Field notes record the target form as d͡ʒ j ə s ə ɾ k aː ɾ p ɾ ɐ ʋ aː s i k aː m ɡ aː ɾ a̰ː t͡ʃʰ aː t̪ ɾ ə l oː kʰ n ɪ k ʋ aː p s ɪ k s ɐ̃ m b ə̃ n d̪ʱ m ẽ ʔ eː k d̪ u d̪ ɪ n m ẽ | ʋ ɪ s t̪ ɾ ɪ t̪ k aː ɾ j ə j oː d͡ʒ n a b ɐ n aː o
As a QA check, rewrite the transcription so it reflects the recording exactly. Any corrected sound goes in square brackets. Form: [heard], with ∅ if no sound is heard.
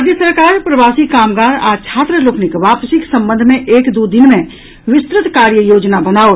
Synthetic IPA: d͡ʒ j ə s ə ɾ k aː ɾ p ɾ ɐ ʋ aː s i k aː m ɡ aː ɾ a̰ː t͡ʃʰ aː t̪ ɾ ə l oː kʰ n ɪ k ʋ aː p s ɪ k s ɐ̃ m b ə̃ n d̪ʱ m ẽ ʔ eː k d̪ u d̪ ɪ n m ẽ | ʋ ɪ s t̪ ɾ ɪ t̪ k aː ɾ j ə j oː d͡ʒ n a b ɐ n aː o